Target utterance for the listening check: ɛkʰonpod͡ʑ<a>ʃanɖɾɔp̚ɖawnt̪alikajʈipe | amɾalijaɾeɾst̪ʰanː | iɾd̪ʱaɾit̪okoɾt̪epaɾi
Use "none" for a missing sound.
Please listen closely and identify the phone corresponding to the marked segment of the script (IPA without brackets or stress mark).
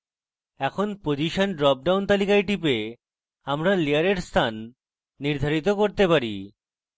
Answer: i